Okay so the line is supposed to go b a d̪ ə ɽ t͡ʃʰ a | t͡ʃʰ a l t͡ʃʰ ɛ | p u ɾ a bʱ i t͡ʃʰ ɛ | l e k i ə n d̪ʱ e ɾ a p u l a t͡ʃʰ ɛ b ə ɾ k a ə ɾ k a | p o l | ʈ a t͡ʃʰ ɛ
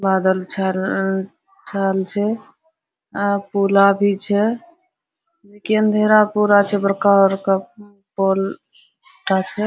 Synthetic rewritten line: b a d̪ ə l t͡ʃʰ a | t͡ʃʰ a l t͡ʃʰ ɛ | p u l a bʱ i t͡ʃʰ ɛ | l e k i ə n d̪ʱ e ɾ a p u ɾ a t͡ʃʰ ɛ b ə ɾ k a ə ɾ k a | p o l | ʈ a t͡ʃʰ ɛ